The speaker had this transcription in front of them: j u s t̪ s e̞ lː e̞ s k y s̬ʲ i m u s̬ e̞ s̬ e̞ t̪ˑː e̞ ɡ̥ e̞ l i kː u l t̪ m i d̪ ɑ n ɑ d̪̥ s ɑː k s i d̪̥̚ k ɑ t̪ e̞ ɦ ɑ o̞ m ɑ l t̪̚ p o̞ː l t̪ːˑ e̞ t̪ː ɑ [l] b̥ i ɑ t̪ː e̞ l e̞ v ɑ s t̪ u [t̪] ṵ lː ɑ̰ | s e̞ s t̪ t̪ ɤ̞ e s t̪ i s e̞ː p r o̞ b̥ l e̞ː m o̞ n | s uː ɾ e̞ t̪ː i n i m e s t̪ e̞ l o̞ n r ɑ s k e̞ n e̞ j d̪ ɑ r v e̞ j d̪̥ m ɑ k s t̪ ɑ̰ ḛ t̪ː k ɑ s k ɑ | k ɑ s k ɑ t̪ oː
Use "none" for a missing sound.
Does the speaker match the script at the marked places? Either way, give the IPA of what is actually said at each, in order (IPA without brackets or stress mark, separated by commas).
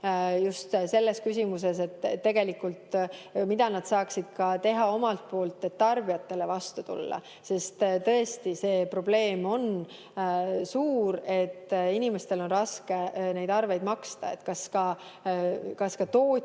r, t̪